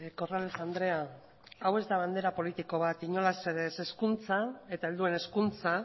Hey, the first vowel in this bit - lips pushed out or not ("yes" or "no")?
yes